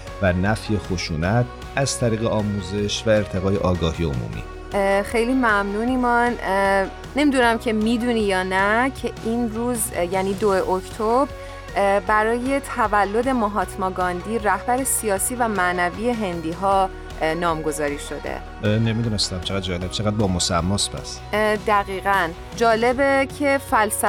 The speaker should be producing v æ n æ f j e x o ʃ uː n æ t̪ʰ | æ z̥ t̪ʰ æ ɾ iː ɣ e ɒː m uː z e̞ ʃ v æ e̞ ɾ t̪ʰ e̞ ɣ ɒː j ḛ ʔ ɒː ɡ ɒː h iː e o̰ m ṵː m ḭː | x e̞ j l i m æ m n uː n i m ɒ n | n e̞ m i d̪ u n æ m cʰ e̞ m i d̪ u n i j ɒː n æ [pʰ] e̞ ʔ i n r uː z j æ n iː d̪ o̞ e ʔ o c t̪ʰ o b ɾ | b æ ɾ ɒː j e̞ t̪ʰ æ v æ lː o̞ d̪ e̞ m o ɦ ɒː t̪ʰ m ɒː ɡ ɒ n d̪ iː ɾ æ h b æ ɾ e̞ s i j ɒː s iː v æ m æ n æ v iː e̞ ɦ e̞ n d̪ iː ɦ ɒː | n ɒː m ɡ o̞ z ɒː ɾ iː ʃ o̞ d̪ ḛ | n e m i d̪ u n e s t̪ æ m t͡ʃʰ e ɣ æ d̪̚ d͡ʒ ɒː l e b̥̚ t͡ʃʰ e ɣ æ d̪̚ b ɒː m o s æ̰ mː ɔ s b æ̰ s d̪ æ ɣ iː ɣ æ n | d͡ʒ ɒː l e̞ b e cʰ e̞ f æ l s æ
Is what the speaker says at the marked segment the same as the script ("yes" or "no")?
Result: no